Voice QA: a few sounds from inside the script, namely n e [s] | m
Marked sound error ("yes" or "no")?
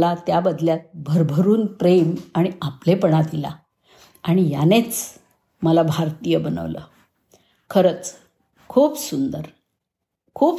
yes